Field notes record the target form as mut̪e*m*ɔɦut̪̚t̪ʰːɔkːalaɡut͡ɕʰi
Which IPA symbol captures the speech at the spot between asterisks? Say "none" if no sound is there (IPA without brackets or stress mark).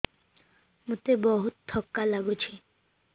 b